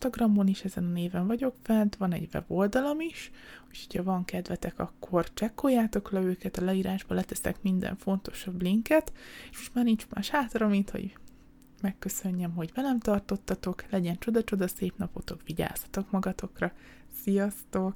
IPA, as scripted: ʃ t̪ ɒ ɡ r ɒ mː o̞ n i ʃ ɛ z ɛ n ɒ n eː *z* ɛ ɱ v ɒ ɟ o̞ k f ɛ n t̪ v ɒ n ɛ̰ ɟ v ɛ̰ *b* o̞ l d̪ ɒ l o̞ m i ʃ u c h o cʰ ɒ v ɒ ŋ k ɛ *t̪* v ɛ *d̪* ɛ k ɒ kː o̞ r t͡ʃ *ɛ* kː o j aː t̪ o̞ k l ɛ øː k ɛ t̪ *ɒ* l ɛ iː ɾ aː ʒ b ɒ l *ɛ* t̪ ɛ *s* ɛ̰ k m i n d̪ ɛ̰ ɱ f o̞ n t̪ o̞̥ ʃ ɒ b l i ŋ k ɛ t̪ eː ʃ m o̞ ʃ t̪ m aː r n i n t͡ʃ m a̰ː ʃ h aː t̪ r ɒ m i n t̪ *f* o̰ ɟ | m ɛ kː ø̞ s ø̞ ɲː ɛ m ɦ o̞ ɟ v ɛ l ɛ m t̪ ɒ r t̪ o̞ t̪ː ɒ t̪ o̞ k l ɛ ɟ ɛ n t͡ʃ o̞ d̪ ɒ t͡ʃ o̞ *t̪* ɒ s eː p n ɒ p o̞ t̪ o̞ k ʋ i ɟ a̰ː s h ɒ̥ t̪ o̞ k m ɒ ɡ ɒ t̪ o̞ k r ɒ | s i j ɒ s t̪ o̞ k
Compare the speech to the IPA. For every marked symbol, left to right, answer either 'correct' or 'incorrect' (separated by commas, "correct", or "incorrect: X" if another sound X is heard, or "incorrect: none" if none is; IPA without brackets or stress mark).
incorrect: v, correct, incorrect: d̪, incorrect: t̪, correct, correct, correct, correct, incorrect: h, incorrect: d̪